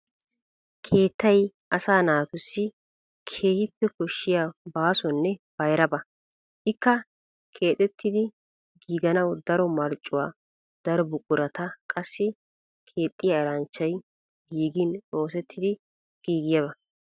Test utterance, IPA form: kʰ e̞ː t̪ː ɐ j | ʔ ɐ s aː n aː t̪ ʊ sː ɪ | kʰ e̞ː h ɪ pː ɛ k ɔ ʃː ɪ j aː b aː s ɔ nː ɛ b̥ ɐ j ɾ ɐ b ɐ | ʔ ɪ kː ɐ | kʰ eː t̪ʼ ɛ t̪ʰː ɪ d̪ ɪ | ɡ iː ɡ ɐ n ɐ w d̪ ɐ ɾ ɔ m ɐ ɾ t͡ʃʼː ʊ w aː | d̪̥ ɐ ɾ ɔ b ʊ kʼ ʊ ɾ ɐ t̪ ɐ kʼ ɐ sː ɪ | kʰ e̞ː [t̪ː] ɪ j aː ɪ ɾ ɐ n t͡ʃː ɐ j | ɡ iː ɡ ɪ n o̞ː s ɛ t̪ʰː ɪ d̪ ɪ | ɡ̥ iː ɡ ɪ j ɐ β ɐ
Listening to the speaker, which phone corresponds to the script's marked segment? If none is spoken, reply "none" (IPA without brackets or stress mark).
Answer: t̪ʼː